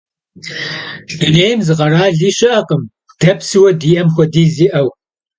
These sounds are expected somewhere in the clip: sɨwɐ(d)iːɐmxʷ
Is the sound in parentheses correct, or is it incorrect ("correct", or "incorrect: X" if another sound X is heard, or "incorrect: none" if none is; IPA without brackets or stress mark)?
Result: correct